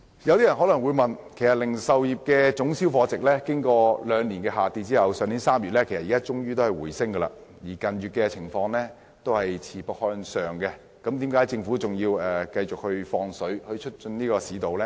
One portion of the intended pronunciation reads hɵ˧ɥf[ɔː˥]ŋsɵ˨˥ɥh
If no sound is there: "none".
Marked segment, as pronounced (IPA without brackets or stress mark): ɔː˧